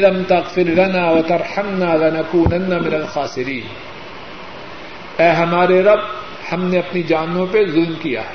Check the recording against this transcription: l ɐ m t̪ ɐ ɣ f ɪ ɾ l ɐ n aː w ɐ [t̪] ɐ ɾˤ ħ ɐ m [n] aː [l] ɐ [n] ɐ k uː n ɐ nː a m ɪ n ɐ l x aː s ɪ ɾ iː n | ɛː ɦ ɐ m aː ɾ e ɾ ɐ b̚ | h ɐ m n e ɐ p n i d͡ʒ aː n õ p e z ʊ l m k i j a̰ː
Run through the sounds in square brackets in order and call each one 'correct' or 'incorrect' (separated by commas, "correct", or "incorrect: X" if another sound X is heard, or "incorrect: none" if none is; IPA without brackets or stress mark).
correct, correct, correct, correct